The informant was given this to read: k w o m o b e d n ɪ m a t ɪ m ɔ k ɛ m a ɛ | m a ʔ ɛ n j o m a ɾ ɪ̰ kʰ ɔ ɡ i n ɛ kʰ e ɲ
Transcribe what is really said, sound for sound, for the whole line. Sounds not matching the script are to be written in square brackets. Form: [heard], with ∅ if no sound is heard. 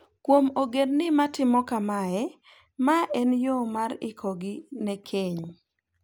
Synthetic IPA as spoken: k w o m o [ɡ] e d n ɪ m a t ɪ m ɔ k [a] m a ɛ | m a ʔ ɛ n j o m a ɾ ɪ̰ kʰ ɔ ɡ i n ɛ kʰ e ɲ